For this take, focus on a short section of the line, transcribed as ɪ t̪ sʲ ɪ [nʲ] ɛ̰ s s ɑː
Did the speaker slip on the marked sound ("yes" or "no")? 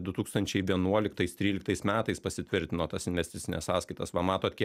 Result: no